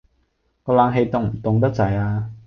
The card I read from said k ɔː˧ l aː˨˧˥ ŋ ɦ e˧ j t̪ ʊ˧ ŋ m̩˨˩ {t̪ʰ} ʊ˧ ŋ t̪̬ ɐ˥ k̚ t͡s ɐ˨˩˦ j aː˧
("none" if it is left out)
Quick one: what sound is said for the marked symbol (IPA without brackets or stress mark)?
t̪